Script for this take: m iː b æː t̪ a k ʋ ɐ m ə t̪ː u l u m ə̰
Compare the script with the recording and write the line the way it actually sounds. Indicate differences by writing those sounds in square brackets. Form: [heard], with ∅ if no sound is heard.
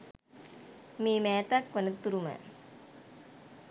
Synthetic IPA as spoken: m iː [m] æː t̪ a k ʋ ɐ [n] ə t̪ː u [ɾ] u m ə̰